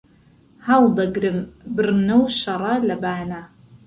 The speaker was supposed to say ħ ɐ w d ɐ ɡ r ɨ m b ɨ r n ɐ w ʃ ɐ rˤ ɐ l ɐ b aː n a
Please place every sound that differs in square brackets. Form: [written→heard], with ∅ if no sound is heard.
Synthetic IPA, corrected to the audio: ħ [ɐ→a] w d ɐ ɡ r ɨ m b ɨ r n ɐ w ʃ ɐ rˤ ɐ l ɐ b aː n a